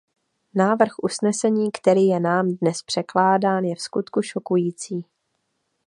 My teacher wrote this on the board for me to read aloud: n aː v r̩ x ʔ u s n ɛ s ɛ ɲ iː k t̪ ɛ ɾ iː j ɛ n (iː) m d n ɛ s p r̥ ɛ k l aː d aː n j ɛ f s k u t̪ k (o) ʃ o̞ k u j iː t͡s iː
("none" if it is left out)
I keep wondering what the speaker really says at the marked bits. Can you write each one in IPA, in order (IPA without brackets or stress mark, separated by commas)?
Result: aː, u